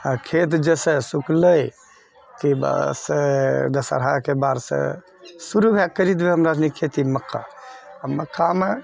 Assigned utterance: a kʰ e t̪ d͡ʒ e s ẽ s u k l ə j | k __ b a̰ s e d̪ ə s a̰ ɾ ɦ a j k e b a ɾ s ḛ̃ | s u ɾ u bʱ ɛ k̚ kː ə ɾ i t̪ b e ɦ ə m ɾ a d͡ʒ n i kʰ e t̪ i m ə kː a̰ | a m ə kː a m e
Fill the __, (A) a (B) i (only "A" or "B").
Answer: B